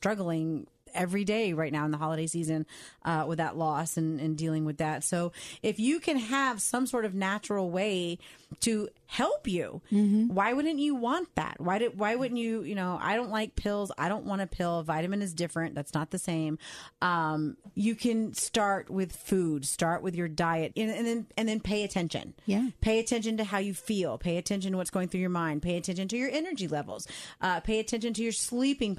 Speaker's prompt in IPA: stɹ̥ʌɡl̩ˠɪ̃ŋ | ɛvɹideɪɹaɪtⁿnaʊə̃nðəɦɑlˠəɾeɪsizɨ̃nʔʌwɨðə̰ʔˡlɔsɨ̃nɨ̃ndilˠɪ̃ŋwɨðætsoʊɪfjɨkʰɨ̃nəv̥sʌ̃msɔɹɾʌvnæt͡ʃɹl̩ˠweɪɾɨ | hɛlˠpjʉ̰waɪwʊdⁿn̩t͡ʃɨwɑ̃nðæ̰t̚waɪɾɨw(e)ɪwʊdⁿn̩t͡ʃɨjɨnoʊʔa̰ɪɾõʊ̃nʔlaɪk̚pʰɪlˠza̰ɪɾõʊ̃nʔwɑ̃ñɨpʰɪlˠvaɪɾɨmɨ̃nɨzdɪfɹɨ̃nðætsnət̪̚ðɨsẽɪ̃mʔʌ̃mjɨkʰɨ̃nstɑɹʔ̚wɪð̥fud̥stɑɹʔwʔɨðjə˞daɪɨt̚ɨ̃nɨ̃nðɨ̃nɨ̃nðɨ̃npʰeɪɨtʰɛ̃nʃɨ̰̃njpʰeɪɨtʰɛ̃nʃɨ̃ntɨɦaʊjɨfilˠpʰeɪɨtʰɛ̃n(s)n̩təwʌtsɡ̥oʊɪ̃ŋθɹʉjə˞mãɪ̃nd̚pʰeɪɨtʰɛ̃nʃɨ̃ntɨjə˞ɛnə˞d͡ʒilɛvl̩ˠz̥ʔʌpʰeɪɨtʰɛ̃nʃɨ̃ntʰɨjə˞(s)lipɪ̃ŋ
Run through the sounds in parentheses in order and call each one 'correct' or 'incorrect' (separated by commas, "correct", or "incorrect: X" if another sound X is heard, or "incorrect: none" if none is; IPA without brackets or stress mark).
incorrect: a, incorrect: ʃ, correct